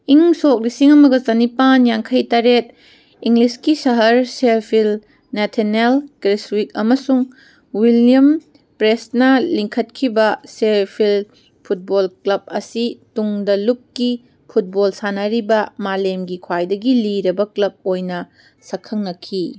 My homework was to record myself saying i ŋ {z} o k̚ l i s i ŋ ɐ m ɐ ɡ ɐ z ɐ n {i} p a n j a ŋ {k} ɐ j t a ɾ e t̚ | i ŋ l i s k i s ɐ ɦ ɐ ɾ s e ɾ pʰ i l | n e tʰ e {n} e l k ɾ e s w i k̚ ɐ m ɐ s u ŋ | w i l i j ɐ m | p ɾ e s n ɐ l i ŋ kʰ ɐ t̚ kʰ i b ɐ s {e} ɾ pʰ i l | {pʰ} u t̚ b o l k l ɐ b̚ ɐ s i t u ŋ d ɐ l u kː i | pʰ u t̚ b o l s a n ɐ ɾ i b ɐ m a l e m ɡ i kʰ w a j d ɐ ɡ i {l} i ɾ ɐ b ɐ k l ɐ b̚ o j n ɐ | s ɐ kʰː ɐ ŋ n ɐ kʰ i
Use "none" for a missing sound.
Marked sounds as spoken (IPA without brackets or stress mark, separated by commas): s, i, kʰ, n, e, pʰ, l